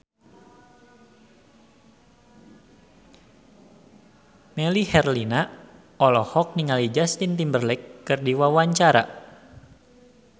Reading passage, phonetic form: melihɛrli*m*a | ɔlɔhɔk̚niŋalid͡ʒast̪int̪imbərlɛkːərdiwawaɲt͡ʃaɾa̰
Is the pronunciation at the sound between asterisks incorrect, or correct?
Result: incorrect